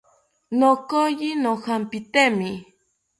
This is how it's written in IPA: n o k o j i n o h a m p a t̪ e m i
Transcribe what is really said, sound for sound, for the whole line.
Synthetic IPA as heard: n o k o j i n o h a m p i t̪ e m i